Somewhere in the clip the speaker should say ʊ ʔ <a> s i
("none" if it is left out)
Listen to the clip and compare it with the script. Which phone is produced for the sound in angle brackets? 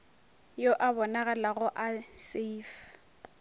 a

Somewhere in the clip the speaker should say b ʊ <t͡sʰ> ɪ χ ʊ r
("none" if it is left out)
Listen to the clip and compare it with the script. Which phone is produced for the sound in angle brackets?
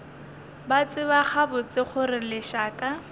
t͡s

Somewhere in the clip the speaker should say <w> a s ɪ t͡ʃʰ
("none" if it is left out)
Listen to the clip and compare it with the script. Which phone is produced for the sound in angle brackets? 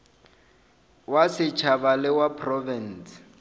w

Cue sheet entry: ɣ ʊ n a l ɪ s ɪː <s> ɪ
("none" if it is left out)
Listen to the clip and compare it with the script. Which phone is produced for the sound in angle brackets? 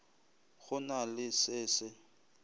s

